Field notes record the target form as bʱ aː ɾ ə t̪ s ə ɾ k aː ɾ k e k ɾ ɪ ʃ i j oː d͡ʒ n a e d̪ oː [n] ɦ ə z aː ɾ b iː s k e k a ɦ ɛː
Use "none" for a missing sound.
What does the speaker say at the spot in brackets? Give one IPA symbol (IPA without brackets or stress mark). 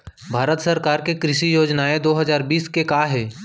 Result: none